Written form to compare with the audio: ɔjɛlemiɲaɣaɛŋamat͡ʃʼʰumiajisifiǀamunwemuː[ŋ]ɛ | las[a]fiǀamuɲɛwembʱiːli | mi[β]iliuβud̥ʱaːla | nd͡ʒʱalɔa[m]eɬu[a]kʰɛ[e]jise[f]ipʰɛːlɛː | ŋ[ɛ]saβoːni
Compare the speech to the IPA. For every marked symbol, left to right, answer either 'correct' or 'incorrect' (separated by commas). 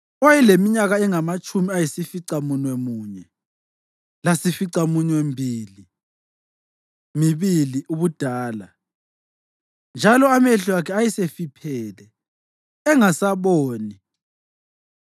incorrect, incorrect, correct, correct, correct, incorrect, correct, incorrect